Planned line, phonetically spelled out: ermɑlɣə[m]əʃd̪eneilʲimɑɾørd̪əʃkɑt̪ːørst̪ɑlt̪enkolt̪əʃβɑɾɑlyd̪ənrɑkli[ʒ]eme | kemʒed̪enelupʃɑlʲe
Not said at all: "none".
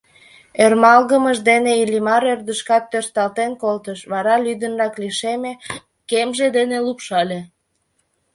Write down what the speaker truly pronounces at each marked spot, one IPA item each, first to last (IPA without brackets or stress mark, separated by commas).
m, ʃ